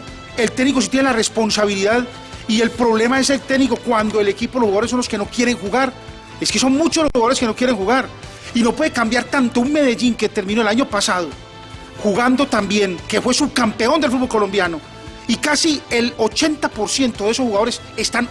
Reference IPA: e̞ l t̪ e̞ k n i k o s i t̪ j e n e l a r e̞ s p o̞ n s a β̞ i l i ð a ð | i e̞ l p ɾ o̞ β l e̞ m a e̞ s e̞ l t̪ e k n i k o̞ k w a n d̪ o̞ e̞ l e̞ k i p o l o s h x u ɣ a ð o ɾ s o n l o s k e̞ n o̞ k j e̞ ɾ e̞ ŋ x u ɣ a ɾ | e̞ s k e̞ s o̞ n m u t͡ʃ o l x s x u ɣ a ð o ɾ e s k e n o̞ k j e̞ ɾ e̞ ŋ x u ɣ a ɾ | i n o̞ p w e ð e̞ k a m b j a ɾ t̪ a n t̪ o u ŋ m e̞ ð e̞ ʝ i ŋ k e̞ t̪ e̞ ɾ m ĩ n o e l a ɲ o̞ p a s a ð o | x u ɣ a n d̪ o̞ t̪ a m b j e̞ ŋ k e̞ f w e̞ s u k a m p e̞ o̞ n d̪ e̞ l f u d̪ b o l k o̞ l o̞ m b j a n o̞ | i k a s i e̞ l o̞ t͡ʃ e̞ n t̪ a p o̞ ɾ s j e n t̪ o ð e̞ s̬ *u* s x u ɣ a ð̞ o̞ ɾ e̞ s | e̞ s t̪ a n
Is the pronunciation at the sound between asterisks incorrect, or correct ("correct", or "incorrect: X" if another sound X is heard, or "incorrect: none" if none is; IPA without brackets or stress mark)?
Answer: incorrect: o